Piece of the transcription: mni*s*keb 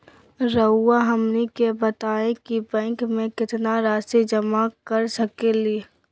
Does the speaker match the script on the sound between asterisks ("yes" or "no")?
no